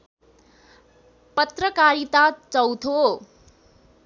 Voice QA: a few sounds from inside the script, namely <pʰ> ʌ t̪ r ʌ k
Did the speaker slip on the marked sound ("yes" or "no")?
yes